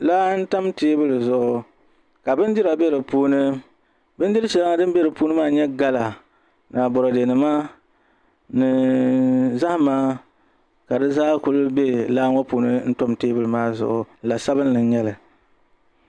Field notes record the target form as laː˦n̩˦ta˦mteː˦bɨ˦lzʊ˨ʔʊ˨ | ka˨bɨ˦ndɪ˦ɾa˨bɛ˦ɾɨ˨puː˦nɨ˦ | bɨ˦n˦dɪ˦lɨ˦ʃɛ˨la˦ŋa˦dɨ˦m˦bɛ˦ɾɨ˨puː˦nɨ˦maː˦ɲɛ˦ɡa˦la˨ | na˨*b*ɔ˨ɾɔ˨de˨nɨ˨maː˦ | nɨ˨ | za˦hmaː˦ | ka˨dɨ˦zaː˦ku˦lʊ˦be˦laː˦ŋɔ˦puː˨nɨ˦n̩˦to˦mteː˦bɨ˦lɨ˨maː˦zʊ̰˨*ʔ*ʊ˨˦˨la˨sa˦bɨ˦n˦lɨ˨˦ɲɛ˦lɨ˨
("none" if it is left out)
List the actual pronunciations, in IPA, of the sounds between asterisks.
b, ʔ

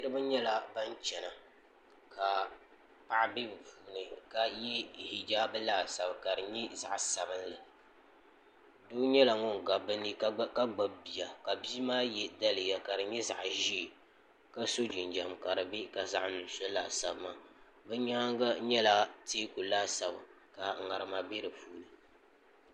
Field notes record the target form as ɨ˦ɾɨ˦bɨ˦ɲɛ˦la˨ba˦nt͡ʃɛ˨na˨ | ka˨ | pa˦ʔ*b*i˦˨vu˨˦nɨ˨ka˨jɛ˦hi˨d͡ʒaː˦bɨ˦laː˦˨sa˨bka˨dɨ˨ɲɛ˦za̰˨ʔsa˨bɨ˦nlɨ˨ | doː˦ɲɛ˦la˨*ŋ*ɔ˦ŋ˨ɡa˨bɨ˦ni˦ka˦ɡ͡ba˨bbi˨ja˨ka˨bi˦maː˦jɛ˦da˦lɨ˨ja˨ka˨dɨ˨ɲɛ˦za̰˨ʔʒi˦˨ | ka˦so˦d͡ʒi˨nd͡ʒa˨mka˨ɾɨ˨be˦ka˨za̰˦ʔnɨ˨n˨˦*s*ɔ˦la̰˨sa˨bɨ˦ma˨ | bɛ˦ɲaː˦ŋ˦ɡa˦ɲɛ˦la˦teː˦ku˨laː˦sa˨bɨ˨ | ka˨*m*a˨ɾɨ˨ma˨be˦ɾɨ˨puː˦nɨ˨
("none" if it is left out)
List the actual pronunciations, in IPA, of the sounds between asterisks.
b, ŋ, s, ŋ

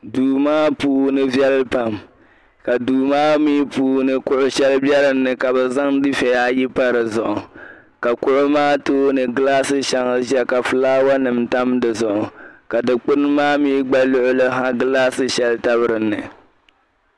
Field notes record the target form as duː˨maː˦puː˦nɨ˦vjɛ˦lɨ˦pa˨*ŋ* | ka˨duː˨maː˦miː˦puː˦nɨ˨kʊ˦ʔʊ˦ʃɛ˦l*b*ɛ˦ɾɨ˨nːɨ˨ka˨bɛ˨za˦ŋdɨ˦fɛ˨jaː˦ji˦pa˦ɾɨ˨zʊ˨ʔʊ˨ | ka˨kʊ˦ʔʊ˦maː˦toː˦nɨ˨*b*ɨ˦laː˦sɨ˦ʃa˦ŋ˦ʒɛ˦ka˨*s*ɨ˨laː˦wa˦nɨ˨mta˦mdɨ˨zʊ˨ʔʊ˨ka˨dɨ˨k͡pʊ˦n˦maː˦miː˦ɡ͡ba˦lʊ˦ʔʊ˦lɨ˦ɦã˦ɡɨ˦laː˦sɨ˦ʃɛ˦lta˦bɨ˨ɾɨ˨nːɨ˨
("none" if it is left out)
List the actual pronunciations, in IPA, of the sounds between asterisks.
m, b, ɡ, f

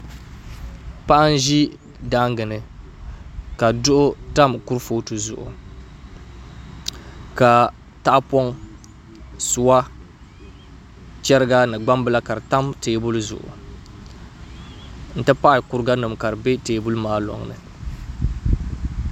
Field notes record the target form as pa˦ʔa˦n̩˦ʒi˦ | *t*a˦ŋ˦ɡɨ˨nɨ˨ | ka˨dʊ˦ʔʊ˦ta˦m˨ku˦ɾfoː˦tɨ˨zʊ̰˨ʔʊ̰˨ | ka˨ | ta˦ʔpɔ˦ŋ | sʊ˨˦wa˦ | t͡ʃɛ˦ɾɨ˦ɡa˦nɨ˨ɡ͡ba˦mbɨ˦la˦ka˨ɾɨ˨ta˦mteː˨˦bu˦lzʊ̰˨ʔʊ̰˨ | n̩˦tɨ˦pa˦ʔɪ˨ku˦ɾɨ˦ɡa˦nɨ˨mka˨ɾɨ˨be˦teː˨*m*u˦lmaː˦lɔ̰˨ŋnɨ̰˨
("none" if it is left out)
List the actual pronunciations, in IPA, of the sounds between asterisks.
d, b

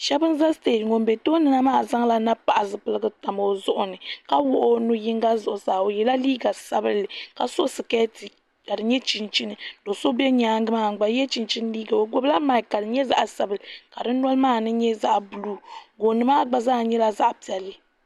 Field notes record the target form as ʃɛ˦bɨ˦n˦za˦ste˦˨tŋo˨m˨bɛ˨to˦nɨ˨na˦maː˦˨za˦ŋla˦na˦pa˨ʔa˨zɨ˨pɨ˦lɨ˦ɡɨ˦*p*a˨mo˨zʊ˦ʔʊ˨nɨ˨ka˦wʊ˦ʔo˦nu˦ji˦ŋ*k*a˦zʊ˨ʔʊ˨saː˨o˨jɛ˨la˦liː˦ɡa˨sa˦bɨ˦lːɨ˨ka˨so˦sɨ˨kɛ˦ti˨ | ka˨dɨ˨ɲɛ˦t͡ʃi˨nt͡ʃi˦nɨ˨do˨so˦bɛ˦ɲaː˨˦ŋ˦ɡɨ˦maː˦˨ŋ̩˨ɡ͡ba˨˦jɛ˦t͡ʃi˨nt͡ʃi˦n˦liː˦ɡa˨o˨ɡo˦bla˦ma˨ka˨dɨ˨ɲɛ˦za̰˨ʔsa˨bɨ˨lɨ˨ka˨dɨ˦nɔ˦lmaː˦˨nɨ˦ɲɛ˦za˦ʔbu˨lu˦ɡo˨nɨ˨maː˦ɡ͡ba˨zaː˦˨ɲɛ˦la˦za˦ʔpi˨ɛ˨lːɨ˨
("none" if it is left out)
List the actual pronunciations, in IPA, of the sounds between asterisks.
t, ɡ

